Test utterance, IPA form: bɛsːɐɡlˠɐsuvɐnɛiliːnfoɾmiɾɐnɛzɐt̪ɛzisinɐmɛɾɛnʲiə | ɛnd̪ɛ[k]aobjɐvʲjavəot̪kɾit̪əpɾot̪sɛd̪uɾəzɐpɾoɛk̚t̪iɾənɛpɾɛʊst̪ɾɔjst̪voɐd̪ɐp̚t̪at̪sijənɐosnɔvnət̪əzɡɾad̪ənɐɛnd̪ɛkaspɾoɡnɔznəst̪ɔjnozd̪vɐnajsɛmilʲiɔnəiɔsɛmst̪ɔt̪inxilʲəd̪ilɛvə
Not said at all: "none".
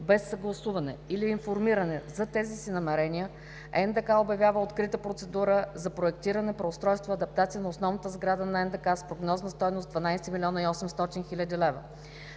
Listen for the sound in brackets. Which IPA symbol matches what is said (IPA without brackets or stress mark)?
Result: k